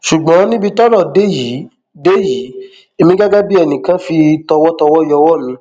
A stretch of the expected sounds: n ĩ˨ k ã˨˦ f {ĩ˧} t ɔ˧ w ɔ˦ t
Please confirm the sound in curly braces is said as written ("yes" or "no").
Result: no